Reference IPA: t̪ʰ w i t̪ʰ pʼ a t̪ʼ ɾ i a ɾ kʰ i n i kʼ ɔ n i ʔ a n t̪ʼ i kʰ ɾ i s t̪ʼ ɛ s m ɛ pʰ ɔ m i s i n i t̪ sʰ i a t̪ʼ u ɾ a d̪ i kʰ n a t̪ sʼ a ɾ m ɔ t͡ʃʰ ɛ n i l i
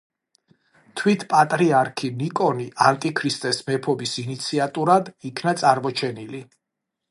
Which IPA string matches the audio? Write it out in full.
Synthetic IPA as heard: t̪ʰ w i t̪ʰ pʼ a t̪ʼ ɾ i a ɾ kʰ i n i kʼ ɔ n i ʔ a n t̪ʼ i kʰ ɾ i s t̪ʼ ɛ s m ɛ pʰ ɔ b i s i n i t̪ sʰ i a t̪ʼ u ɾ a d̪ i kʰ n a t̪ sʼ a ɾ m ɔ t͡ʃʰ ɛ n i l i

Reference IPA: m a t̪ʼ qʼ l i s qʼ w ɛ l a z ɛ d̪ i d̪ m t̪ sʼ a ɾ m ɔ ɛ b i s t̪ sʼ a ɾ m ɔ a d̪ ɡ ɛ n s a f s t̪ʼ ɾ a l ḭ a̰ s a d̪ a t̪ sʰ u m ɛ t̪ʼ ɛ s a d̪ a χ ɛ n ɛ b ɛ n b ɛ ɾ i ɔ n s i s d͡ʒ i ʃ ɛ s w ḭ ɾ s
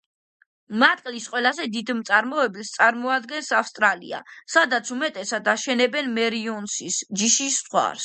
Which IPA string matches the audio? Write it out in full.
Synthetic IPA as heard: m a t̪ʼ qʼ l i s qʼ w ɛ l a z ɛ d̪ i d̪ m t̪ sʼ a ɾ m ɔ ɛ b i s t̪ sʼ a ɾ m ɔ a d̪ ɡ ɛ n s a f s t̪ʼ ɾ a l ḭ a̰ s a d̪ a t̪ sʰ u m ɛ t̪ʼ ɛ s a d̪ a ʃ ɛ n ɛ b ɛ n m ɛ ɾ i ɔ n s i s d͡ʒ i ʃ i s w a̰ ɾ s

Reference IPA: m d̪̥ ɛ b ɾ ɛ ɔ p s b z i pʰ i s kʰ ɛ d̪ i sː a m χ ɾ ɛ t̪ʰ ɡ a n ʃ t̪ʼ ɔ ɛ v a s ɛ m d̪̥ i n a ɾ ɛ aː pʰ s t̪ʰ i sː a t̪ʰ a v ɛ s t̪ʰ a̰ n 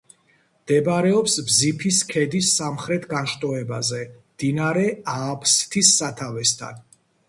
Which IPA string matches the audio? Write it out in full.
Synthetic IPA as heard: m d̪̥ ɛ b ɾ ɛ ɔ p s b z i pʰ i s kʰ ɛ d̪ i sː a m χ ɾ ɛ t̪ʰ ɡ a n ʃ t̪ʼ ɔ ɛ b a z ɛ m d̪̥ i n a ɾ ɛ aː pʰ s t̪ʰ i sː a t̪ʰ a v ɛ s t̪ʰ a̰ n

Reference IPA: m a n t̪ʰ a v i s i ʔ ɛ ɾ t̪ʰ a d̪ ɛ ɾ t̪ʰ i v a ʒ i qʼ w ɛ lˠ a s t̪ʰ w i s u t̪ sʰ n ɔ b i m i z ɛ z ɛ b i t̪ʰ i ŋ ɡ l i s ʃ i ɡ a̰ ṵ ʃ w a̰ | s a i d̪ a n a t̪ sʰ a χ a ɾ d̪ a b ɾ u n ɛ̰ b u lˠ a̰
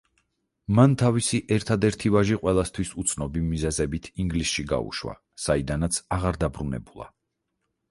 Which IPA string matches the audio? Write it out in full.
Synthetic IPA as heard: m a n t̪ʰ a v i s i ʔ ɛ ɾ t̪ʰ a d̪ ɛ ɾ t̪ʰ i v a ʒ i qʼ w ɛ lˠ a s t̪ʰ w i s u t̪ sʰ n ɔ b i m i z ɛ z ɛ b i t̪ʰ i ŋ ɡ l i s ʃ i ɡ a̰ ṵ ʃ w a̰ | s a i d̪ a n a t̪ sʰ a ʁ a ɾ d̪ a b ɾ u n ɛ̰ b u lˠ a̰

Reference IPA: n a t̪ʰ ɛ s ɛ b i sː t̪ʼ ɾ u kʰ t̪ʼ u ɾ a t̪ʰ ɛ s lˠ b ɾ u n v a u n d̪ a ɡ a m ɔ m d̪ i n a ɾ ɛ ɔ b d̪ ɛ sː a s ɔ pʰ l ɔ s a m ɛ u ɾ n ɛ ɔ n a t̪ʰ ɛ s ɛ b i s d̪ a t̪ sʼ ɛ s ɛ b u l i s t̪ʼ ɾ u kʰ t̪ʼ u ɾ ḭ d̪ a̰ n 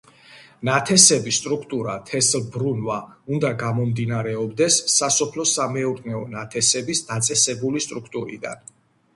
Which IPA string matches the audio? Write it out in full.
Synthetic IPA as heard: n a t̪ʰ ɛ s ɛ b i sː t̪ʼ ɾ u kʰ t̪ʼ u ɾ a t̪ʰ ɛ s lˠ b ɾ u n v a u n d̪ a ɡ a m ɔ m d̪ i n a ɾ ɛ ɔ b d̪ ɛ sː a s ɔ pʰ l ɔ s a m ɛ u ɾ n ɛ ɔ n a t̪ʰ ɛ s ɛ b i s d̪ a t̪ sʼ ɛ s ɛ b u l i s t̪ʼ ɾ u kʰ t̪ʼ u ɾ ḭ d̪ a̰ n

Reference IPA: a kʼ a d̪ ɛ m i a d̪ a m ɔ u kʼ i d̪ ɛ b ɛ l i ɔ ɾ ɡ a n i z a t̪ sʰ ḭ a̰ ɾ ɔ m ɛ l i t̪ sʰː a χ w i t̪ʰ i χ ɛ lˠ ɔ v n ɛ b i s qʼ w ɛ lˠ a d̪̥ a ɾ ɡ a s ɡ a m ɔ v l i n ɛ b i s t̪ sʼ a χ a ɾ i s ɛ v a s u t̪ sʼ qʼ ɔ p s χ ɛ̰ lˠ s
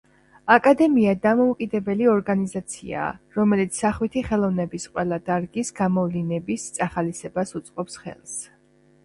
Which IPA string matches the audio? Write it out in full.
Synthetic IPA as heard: a kʼ a d̪ ɛ m i a d̪ a m ɔ u kʼ i d̪ ɛ b ɛ l i ɔ ɾ ɡ a n i z a t̪ sʰ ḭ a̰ ɾ ɔ m ɛ l i t̪ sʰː a χ w i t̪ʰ i χ ɛ lˠ ɔ v n ɛ b i s qʼ w ɛ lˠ a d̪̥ a ɾ ɡ i s ɡ a m ɔ v l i n ɛ b i s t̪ sʼ a χ a l i s ɛ b a s u t̪ sʼ qʼ ɔ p s χ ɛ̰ lˠ s

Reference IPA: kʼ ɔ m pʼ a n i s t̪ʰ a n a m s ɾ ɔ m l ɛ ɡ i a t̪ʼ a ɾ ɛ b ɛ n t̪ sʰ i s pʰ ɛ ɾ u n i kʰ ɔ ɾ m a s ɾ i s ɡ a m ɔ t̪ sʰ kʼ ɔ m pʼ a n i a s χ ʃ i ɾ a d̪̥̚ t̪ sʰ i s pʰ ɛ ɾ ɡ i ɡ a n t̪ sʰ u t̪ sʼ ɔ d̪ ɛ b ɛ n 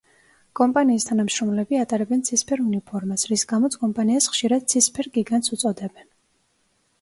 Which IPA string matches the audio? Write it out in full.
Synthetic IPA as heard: kʼ ɔ m pʼ a n iː s t̪ʰ a n a m ʃ ɾ ɔ m l ɛ b i a t̪ʼ a ɾ ɛ b ɛ n t̪ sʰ i s pʰ ɛ ɾ u n i pʰ ɔ ɾ m a s ɾ i s ɡ a m ɔ t̪ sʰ kʼ ɔ m pʼ a n i a s χ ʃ i ɾ a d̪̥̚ t̪ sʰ i s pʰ ɛ ɾ ɡ i ɡ a n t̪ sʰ u t̪ sʼ ɔ d̪ ɛ b ɛ n

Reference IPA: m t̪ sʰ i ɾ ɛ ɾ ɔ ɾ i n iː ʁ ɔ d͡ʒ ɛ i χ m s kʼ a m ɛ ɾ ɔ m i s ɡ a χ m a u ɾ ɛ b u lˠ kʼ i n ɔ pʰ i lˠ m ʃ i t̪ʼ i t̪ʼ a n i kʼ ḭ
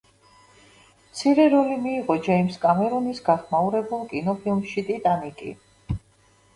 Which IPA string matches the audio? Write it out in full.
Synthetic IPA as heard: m t̪ sʰ i ɾ ɛ ɾ ɔ l i m iː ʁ ɔ d͡ʒ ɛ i m s kʼ a m ɛ ɾ ɔ n i s ɡ a χ m a u ɾ ɛ b u lˠ kʼ i n ɔ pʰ i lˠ m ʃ i t̪ʼ i t̪ʼ a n i kʼ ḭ

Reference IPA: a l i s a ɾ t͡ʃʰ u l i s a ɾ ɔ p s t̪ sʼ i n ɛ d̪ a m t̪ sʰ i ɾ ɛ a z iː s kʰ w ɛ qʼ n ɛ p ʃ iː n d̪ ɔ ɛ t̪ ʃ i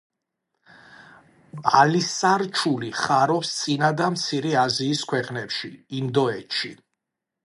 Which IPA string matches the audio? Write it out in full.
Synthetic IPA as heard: a l i s a ɾ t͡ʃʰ u l i χ a ɾ ɔ p s t̪ sʼ i n a d̪ a m t̪ sʰ i ɾ ɛ a z iː s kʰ w ɛ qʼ n ɛ p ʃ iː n d̪ ɔ ɛ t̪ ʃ i

